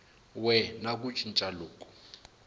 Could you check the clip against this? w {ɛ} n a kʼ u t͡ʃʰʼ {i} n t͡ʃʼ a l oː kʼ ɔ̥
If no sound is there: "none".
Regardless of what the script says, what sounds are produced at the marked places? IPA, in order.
ɛ, i

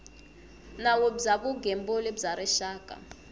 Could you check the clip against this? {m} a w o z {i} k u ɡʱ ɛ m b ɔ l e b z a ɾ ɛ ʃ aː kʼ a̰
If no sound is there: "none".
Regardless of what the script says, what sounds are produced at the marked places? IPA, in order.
n, a

